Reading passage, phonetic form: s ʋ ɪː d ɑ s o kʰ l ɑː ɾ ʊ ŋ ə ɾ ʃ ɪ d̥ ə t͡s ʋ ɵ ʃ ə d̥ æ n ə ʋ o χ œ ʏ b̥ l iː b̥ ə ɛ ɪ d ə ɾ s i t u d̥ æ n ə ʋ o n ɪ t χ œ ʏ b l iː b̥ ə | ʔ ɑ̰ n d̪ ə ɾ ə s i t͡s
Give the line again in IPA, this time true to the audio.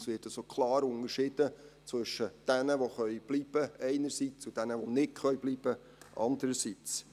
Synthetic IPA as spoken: s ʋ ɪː t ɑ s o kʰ l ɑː ɾ ʊ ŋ ə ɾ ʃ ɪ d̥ ə t͡s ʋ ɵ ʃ ə d̥ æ n ə ʋ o χ œ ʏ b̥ l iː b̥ ə ɛ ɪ n ə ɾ s i t͡s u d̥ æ n ə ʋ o n ɪ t χ œ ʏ b l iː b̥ ə | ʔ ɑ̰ n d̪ ə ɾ ə s i t͡s